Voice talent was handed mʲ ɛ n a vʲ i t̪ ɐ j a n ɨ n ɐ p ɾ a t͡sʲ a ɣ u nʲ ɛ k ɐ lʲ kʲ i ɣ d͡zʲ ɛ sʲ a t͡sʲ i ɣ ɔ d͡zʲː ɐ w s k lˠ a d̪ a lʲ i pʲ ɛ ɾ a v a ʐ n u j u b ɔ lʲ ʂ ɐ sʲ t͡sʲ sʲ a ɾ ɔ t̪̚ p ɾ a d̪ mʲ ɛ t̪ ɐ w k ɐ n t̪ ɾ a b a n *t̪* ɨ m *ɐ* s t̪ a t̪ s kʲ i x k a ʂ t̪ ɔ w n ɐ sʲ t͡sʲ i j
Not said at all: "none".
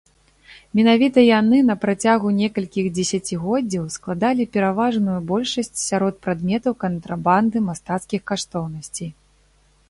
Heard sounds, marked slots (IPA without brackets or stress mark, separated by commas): d̪, a